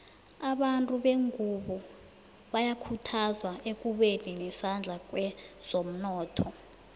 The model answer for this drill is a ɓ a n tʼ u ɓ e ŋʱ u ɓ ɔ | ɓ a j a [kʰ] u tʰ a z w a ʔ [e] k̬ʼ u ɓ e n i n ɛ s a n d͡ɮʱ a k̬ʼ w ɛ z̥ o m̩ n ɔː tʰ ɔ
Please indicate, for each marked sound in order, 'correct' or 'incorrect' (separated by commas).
correct, correct